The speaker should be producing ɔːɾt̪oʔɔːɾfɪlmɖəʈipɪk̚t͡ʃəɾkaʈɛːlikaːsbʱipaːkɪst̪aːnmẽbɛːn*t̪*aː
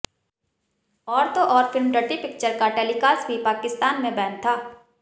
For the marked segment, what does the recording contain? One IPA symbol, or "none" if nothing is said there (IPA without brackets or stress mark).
t̪ʰ